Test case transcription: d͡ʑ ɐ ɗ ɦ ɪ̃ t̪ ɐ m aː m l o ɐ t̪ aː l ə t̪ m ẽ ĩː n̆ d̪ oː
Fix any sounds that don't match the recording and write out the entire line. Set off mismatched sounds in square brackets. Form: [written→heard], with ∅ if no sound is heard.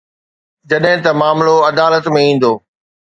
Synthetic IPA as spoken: d͡ʑ ɐ ɗ ɦ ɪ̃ t̪ ɐ m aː m l o ɐ [t̪→d̪] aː l ə t̪ m ẽ ĩː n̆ d̪ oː